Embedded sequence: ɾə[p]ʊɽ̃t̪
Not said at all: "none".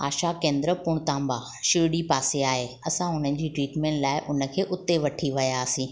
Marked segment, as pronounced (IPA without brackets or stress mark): p